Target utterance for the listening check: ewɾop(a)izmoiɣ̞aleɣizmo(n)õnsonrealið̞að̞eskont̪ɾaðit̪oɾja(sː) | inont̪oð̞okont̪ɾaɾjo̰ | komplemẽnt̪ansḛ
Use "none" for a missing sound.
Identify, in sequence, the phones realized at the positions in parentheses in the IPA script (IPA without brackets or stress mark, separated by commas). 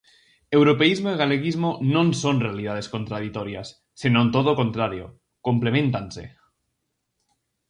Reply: e, n, sː